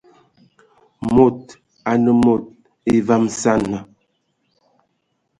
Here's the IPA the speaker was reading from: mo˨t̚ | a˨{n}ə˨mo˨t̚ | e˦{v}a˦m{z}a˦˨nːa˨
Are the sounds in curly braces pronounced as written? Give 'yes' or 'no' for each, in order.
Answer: yes, yes, no

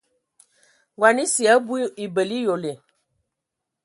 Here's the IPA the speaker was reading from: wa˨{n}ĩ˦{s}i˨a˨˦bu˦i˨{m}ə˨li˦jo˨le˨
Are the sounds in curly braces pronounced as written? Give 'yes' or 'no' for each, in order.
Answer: yes, yes, no

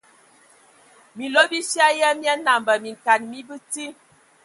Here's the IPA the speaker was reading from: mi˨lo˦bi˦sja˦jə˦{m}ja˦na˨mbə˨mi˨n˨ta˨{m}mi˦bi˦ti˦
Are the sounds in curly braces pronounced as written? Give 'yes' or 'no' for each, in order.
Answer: yes, no

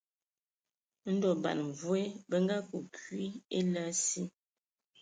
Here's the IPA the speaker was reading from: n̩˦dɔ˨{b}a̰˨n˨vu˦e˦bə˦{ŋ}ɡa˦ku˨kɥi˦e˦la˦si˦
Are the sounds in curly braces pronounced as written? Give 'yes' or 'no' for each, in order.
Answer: yes, yes

